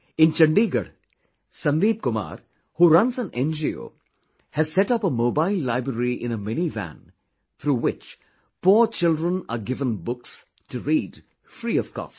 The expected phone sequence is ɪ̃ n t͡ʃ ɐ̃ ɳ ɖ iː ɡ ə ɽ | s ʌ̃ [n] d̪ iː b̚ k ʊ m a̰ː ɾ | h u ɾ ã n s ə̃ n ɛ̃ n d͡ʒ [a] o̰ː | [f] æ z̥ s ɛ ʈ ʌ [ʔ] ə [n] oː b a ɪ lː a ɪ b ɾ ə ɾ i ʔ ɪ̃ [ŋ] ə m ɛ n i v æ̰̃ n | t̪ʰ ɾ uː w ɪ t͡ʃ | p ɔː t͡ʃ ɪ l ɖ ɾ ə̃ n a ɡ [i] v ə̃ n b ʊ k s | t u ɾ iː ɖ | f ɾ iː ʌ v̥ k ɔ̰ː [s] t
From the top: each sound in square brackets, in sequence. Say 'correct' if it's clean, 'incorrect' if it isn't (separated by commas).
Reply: correct, incorrect, incorrect, incorrect, incorrect, incorrect, incorrect, correct